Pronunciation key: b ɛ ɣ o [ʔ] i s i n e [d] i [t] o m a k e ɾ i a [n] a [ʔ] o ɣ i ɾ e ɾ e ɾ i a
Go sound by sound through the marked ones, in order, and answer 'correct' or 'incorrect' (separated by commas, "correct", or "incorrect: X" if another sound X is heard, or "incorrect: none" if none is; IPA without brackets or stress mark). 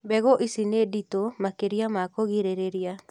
correct, correct, correct, incorrect: m, incorrect: k